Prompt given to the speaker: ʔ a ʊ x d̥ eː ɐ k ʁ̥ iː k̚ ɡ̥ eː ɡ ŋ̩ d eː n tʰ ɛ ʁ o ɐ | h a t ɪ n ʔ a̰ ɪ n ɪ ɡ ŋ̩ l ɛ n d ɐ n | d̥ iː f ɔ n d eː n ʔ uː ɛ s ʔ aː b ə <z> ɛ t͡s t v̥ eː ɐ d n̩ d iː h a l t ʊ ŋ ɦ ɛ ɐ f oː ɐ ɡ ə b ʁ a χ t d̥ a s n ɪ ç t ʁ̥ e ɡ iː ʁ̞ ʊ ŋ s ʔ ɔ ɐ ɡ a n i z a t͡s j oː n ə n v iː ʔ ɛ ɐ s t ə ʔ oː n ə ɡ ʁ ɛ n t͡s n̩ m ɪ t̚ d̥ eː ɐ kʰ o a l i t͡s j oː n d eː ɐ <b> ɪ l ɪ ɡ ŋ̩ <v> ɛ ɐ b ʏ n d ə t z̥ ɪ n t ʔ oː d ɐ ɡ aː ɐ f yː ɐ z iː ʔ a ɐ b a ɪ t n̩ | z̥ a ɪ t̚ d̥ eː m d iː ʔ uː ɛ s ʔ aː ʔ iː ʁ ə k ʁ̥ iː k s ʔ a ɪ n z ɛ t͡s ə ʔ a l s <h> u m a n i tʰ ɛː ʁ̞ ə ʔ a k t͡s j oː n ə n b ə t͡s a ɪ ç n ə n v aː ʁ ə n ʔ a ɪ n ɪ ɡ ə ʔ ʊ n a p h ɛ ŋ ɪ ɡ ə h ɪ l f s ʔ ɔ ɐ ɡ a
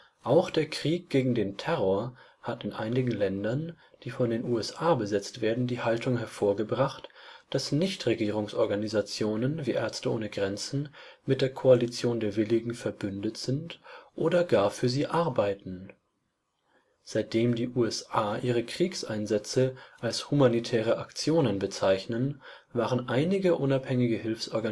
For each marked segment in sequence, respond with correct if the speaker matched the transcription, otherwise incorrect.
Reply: correct, incorrect: v, incorrect: f, correct

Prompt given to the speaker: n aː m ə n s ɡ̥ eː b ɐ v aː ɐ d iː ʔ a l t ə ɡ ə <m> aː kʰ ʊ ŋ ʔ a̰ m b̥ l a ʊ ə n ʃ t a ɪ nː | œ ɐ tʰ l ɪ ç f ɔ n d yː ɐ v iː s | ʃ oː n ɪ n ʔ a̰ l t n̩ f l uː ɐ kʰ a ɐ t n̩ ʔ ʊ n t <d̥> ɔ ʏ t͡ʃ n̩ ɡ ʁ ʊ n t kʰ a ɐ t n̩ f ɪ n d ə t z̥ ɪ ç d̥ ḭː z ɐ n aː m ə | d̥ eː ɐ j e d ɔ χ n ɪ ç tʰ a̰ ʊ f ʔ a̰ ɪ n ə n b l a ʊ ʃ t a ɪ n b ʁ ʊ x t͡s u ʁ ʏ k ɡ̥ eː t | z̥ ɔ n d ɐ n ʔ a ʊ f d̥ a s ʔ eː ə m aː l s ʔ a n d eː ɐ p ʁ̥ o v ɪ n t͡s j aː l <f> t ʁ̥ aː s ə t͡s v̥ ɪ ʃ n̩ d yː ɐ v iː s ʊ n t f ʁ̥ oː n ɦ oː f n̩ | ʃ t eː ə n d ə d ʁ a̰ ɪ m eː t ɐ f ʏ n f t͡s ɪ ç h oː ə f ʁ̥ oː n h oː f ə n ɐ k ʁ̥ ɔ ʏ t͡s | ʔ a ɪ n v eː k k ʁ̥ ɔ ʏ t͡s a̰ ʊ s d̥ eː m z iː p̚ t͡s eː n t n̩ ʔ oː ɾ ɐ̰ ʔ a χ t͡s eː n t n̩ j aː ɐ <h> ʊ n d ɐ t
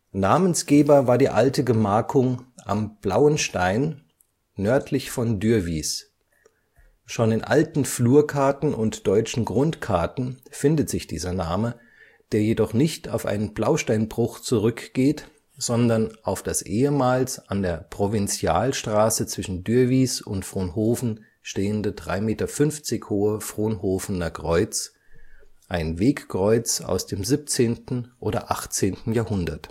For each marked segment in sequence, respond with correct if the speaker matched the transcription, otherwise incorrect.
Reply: correct, correct, incorrect: ʃ, correct

